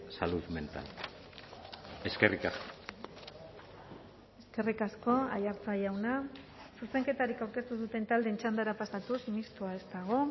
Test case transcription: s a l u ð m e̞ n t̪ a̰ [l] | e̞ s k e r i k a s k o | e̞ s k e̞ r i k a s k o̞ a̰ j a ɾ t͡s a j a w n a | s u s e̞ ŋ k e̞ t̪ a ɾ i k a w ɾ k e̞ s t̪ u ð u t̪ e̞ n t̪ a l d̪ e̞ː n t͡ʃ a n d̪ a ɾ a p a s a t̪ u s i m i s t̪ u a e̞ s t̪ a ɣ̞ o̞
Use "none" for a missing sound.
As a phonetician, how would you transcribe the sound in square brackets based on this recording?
l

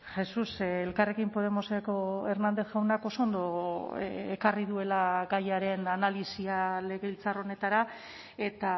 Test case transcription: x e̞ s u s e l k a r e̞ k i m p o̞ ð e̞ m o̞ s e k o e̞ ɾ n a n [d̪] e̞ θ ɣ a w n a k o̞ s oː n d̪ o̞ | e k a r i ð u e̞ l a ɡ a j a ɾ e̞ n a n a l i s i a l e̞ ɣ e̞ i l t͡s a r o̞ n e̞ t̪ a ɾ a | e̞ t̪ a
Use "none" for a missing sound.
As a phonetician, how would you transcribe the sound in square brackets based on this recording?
d̪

